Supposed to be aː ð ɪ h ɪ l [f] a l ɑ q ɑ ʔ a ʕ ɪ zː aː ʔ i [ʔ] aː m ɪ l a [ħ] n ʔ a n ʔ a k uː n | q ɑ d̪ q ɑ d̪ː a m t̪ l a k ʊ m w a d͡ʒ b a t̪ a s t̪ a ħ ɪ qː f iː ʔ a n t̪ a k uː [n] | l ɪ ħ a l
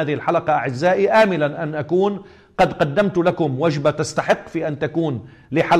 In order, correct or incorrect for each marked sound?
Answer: incorrect, correct, incorrect, correct

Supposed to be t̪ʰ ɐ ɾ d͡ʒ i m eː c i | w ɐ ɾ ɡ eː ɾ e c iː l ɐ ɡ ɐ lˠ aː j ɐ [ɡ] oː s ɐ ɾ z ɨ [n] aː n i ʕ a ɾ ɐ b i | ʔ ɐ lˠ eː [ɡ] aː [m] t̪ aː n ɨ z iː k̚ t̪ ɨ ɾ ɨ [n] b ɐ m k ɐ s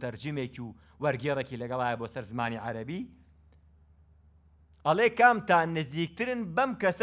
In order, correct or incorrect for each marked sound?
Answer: incorrect, incorrect, incorrect, correct, correct

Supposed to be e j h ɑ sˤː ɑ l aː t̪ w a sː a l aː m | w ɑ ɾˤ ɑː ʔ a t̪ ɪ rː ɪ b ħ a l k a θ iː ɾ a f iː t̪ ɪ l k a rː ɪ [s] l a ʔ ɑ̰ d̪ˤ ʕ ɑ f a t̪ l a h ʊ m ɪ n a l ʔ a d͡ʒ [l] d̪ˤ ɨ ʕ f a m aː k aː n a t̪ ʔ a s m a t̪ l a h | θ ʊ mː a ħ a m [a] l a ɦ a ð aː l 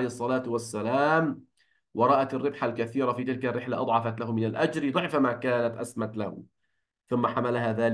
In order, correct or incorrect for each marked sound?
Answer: incorrect, incorrect, correct

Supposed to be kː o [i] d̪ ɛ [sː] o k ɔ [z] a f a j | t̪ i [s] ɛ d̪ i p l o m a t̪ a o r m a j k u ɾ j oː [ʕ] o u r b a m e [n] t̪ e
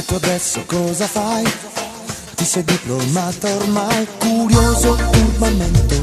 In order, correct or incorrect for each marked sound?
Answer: incorrect, correct, correct, correct, incorrect, correct

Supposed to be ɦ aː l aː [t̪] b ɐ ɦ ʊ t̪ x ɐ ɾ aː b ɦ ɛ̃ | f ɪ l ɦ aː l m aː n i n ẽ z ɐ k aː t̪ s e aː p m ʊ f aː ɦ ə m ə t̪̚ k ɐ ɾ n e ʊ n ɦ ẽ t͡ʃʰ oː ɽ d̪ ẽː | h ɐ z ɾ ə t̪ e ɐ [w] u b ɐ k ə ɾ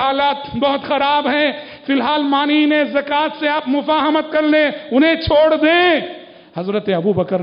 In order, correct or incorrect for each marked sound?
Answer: correct, incorrect

